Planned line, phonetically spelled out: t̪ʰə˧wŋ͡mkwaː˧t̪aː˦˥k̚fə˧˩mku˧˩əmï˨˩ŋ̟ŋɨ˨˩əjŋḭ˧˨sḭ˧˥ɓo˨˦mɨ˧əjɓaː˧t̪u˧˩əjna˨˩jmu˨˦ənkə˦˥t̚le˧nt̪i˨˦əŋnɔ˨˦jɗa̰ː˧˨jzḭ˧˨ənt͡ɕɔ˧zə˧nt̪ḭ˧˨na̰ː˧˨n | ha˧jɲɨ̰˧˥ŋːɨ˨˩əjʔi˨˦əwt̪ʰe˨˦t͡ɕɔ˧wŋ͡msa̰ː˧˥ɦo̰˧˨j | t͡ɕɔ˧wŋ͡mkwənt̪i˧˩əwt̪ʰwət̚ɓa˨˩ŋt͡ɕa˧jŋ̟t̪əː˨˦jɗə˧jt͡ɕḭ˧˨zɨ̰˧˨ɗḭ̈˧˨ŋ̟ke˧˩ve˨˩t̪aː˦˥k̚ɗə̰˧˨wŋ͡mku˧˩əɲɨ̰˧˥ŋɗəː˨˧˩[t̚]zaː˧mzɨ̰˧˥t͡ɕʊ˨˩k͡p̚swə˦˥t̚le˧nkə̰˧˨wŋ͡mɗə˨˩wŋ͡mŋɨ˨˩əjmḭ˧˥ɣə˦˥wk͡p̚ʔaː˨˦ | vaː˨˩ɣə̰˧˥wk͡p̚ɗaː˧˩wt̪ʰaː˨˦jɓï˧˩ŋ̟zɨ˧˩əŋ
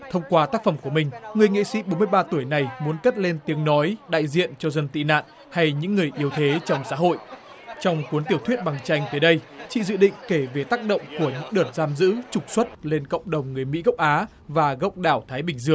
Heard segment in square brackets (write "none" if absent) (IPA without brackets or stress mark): t̚